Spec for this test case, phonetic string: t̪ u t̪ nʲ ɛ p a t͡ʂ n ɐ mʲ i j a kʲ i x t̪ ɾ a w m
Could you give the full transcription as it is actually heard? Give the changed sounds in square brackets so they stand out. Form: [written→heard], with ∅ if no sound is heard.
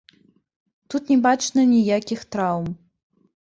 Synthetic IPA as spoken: t̪ u t̪ nʲ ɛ [p→b] a t͡ʂ n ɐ [mʲ→nʲ] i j a kʲ i x t̪ ɾ a w m